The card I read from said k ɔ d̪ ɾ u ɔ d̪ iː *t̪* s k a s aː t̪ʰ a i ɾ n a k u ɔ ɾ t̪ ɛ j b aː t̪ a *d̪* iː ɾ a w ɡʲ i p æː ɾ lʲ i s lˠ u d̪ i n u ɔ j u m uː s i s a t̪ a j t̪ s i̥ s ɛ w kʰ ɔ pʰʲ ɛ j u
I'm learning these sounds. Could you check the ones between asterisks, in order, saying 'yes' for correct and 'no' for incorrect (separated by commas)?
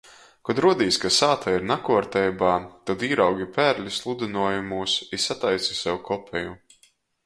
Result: no, yes